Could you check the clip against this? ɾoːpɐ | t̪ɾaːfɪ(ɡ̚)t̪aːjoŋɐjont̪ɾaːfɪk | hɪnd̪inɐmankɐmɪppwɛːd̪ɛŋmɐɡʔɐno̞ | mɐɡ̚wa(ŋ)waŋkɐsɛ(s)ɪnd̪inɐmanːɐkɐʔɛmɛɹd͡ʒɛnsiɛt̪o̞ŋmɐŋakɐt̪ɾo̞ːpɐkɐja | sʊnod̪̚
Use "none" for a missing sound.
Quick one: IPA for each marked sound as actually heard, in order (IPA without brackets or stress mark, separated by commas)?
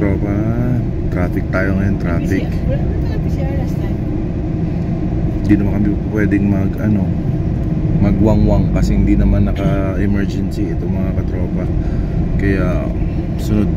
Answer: k̚, ŋ, h